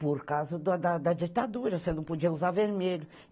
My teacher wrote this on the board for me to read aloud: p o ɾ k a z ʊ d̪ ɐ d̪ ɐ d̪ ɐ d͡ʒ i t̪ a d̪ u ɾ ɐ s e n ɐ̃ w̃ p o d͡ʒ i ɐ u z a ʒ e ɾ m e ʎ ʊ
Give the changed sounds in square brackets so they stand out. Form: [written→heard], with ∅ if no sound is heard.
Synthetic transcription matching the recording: p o ɾ k a z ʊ d̪ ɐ d̪ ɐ d̪ ɐ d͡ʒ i t̪ a d̪ u ɾ ɐ s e n ɐ̃ w̃ p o d͡ʒ i ɐ u z a [ʒ→v] e ɾ m e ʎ ʊ